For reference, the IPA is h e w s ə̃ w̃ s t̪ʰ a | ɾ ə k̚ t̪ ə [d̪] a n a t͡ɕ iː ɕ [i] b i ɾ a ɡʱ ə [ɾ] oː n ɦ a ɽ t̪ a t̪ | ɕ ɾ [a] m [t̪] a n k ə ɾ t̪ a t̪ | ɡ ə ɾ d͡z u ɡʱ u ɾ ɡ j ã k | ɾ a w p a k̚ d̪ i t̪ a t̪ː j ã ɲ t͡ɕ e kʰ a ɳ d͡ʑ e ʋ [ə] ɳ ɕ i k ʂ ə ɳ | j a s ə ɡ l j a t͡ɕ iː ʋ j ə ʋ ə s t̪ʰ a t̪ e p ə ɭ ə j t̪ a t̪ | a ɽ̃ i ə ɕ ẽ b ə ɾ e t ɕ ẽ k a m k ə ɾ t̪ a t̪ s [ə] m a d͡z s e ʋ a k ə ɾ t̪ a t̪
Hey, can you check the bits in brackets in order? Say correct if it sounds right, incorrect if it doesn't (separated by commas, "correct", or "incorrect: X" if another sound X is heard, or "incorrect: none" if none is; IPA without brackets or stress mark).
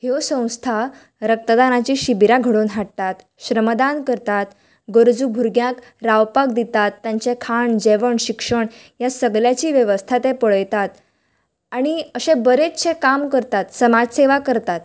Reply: correct, correct, incorrect: ɽ, incorrect: ə, incorrect: d̪, correct, correct